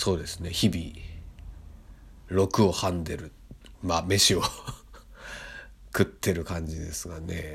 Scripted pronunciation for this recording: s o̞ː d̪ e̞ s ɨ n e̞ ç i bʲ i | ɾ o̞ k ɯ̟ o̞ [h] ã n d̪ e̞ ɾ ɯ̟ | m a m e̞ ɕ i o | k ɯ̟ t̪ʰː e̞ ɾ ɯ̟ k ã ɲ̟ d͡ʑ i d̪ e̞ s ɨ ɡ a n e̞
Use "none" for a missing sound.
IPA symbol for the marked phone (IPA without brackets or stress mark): h